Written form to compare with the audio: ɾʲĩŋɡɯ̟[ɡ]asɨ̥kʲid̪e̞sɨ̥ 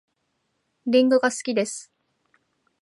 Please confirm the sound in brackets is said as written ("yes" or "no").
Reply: yes